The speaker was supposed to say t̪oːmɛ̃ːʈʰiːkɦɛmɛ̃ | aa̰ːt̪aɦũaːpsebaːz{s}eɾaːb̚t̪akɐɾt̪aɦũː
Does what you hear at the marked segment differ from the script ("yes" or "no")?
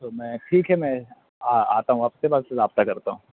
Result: no